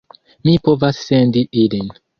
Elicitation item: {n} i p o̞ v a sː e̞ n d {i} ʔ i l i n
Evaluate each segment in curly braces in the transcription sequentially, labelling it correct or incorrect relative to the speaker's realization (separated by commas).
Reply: incorrect, correct